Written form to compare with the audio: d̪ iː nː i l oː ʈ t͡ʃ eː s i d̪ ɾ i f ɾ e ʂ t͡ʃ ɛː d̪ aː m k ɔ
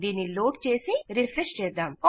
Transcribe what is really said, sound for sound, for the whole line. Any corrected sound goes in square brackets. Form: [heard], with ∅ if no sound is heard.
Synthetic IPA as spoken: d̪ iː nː i l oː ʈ t͡ʃ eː s i [∅] ɾ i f ɾ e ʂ t͡ʃ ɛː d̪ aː m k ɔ